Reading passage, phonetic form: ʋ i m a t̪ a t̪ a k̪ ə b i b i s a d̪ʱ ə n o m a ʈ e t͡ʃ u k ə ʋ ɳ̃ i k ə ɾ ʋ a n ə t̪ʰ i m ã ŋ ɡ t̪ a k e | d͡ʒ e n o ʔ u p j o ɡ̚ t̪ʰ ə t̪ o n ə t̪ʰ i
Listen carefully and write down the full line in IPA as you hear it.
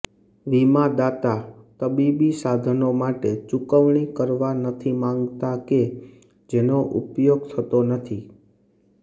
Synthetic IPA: ʋ i m a d̪ a t̪ a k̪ ə b i b i s a d̪ʱ ə n o m a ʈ e t͡ʃ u k ə ʋ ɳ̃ i k ə ɾ ʋ a n ə t̪ʰ i m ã ŋ ɡ t̪ a k e | d͡ʒ e n o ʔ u p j o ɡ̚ t̪ʰ ə t̪ o n ə t̪ʰ i